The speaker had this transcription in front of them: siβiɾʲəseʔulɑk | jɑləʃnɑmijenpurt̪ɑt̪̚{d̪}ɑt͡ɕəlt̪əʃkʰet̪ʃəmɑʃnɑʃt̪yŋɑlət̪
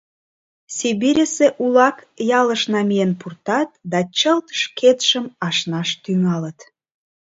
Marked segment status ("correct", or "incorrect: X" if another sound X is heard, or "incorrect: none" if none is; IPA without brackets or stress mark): correct